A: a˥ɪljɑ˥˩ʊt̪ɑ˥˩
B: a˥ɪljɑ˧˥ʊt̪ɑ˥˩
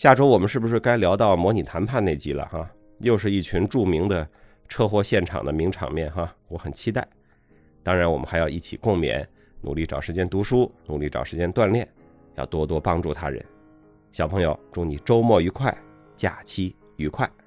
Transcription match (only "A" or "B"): B